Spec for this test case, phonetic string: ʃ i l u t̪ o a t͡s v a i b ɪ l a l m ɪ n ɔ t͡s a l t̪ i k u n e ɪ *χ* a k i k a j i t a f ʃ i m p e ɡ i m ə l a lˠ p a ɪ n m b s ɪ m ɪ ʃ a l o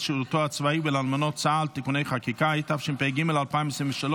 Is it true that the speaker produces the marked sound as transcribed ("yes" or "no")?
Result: yes